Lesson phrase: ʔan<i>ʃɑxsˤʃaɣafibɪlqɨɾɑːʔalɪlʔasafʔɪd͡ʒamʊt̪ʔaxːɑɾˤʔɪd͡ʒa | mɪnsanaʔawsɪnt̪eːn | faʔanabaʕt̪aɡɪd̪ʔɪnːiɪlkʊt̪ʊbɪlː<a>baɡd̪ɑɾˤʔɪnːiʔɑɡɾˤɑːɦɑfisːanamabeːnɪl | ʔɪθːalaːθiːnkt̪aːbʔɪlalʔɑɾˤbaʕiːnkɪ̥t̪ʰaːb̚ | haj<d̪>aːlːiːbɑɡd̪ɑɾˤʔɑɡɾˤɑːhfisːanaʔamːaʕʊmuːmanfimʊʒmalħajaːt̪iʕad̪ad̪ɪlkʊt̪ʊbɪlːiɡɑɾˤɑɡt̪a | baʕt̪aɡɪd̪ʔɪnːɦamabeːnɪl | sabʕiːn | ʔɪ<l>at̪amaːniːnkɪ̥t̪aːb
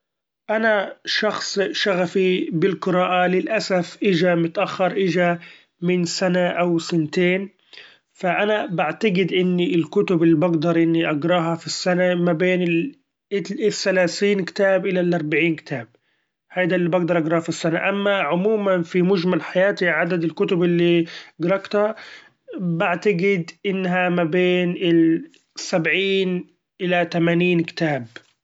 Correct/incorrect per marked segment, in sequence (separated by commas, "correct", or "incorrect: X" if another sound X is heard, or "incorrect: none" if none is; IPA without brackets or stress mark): incorrect: a, incorrect: i, correct, correct